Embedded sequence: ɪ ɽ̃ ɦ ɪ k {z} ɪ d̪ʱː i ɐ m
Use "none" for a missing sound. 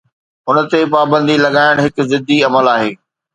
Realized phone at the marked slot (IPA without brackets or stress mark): z